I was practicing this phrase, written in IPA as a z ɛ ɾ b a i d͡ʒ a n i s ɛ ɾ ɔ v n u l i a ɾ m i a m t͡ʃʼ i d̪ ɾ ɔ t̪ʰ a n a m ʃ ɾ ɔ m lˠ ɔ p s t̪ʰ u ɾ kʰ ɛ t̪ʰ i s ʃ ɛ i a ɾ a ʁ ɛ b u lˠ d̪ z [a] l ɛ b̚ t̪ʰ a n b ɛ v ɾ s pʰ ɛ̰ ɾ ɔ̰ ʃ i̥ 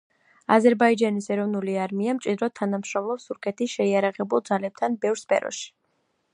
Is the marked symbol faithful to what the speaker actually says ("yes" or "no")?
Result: yes